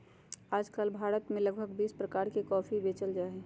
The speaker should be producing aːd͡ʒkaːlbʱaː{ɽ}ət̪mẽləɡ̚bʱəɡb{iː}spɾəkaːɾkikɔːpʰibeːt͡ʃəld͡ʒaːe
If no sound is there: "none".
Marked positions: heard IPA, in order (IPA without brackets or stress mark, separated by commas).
ɾ, iː